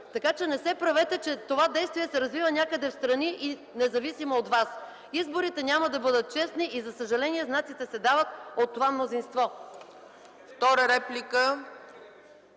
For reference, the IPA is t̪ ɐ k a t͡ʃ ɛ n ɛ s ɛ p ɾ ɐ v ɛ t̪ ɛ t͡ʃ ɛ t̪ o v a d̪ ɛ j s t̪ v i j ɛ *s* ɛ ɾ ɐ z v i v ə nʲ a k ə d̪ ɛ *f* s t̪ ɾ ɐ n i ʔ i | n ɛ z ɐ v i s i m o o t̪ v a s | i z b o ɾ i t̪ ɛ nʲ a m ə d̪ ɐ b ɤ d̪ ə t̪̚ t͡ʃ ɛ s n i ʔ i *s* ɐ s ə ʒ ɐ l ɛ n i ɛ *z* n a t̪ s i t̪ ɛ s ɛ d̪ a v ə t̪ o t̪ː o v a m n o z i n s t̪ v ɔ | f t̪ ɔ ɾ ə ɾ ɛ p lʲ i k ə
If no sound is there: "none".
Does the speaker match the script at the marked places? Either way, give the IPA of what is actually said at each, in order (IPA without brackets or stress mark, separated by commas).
s, f, z, z